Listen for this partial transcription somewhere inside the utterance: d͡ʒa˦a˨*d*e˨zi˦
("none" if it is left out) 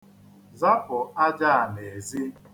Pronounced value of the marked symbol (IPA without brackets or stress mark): n